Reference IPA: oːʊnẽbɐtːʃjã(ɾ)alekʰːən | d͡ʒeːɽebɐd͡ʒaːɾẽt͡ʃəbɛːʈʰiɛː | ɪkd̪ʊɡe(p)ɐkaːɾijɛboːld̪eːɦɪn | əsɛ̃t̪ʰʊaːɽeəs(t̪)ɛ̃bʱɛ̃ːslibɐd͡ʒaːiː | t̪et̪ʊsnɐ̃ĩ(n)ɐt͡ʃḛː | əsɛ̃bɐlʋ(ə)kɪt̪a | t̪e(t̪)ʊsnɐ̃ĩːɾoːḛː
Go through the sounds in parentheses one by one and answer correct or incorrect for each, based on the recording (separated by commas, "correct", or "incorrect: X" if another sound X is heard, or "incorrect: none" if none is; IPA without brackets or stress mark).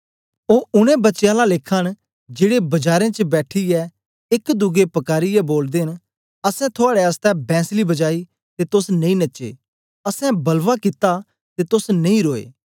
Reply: incorrect: l, correct, correct, correct, incorrect: a, correct